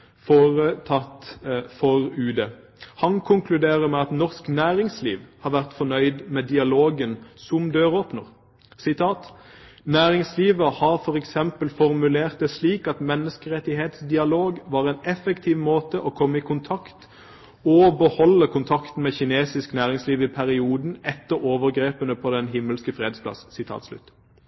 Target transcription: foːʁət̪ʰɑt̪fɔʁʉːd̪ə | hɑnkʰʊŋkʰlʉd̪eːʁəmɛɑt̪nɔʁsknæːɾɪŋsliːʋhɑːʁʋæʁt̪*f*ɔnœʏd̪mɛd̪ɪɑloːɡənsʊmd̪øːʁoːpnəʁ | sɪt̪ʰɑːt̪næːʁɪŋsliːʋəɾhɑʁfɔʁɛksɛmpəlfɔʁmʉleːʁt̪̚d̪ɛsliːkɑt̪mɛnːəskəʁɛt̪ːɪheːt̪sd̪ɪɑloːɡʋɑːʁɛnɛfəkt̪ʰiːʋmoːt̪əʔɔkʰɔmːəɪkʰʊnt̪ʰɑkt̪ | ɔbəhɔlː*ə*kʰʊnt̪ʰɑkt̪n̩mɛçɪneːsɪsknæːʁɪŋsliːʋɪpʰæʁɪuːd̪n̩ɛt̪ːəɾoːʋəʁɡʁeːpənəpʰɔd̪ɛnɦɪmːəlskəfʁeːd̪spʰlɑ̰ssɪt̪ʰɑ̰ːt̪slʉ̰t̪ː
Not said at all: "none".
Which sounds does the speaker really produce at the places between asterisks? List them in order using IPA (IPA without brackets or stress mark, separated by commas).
f, ə